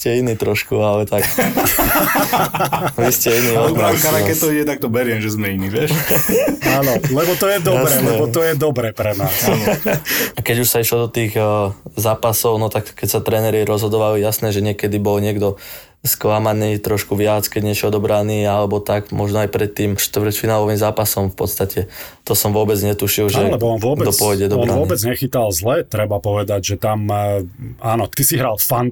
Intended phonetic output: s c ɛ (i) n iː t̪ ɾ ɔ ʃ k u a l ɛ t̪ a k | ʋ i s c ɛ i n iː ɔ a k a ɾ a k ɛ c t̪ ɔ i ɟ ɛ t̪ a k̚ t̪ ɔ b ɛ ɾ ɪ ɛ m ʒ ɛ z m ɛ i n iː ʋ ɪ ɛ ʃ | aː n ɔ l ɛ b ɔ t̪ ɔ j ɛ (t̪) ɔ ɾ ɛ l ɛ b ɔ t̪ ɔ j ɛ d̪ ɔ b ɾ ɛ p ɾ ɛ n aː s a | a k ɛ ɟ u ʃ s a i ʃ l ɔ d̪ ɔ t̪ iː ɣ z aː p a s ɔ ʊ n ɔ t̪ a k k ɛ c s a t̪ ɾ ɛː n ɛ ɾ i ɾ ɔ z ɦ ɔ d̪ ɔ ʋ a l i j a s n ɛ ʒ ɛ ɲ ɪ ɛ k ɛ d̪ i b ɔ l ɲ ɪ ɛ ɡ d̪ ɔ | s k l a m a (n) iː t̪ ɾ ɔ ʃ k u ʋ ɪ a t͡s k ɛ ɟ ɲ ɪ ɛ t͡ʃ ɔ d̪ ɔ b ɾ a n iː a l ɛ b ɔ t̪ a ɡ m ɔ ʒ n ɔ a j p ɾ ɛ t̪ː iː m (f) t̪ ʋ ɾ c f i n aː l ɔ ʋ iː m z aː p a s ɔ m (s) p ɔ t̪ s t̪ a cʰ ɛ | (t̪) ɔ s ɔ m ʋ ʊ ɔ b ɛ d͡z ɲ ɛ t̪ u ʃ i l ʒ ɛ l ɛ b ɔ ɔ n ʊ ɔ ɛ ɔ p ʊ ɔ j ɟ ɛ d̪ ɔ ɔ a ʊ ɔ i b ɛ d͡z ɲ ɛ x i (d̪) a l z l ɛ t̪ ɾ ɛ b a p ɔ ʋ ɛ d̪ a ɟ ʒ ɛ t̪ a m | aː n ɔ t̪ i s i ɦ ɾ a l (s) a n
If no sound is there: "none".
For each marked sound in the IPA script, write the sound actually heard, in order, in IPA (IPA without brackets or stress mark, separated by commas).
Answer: i, d̪, n, ʃ, f, t̪, t̪, f